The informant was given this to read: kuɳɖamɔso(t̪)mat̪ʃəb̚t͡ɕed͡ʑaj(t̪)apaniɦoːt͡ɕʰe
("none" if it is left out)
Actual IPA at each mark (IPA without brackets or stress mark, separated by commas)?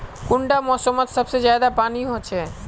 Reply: none, d̪